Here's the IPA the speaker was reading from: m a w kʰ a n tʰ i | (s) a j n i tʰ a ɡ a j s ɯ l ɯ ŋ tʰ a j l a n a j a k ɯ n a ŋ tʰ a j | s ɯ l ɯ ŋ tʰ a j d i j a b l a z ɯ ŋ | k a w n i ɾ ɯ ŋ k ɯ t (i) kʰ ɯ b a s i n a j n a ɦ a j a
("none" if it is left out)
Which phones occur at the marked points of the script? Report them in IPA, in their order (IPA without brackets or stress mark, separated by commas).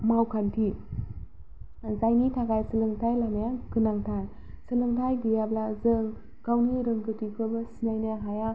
z, i